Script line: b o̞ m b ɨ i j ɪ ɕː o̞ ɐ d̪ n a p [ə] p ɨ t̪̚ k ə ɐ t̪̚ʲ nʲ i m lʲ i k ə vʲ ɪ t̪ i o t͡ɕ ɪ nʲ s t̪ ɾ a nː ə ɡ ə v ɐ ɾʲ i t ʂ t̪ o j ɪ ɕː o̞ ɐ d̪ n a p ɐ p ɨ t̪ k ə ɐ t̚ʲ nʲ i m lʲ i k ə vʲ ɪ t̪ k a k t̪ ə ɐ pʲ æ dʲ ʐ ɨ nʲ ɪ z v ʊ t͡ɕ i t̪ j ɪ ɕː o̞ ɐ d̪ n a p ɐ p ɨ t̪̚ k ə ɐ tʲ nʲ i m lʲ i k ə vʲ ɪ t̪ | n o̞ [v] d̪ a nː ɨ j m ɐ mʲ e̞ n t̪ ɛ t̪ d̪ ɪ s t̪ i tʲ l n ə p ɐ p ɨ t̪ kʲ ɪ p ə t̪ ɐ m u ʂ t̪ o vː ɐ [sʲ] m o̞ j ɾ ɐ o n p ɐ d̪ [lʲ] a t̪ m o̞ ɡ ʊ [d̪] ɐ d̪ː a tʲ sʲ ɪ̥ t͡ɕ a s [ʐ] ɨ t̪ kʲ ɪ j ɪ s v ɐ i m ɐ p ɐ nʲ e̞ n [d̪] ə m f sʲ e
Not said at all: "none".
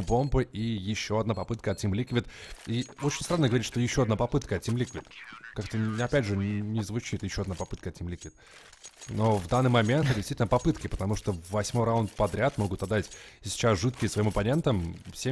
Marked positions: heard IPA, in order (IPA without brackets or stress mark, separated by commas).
ɐ, v, sʲ, ɾʲ, t̪, ʐ, t̪